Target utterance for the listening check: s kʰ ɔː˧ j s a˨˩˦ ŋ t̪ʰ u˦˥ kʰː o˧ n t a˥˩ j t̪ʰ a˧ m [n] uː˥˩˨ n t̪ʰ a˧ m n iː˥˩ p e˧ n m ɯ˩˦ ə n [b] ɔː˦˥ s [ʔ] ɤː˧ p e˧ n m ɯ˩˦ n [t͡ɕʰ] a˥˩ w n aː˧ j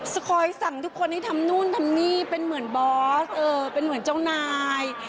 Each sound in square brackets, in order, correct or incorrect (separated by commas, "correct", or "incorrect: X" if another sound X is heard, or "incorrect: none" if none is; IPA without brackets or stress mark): correct, correct, correct, incorrect: t͡ɕ